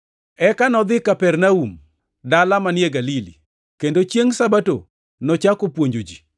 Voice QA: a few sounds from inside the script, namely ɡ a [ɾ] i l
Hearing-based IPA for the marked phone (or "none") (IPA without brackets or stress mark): l